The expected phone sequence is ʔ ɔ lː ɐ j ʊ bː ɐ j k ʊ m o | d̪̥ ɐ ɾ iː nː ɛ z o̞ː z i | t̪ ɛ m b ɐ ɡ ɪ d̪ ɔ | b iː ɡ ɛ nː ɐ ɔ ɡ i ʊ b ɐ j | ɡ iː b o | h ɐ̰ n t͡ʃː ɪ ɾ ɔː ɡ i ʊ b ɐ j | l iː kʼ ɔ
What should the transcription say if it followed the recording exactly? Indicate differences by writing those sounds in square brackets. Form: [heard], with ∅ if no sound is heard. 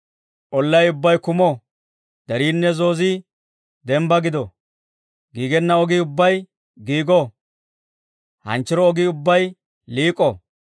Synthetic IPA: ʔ ɔ lː ɐ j ʊ bː ɐ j k ʊ m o | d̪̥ ɐ ɾ iː nː ɛ z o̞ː z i | [d̪] ɛ m b ɐ ɡ ɪ d̪ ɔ | [ɡ] iː ɡ ɛ nː ɐ ɔ ɡ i ʊ [bː] ɐ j | ɡ iː [ɡ] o | h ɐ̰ n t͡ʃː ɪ ɾ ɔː ɡ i ʊ [bː] ɐ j | l iː kʼ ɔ